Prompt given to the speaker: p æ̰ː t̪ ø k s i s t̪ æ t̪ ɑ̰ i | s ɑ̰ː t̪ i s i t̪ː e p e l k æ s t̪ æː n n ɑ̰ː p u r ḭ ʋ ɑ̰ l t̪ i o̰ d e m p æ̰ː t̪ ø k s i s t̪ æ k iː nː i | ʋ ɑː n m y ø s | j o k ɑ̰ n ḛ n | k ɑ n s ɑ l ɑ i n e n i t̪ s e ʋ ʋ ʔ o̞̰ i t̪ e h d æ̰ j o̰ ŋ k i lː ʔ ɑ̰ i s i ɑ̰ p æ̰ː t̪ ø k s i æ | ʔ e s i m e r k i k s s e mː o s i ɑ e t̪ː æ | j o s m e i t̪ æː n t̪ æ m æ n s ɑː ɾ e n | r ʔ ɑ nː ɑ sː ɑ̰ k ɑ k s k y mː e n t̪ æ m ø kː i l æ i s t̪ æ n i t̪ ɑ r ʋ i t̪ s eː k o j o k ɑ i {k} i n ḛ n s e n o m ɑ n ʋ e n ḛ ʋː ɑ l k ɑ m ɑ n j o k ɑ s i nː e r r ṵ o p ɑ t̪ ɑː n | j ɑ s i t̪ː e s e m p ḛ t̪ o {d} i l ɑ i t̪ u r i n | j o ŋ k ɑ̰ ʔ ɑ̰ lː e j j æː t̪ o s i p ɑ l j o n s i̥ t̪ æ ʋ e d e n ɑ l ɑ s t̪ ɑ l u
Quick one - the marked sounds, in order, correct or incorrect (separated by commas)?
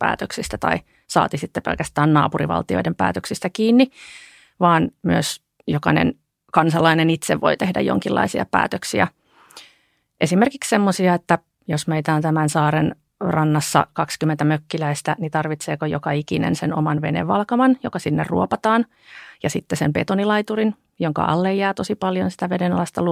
correct, incorrect